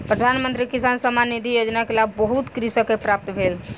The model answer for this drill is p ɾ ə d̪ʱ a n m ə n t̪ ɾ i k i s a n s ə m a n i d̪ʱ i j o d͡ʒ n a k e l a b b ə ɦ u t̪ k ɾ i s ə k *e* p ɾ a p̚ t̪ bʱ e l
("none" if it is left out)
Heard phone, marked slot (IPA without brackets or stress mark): e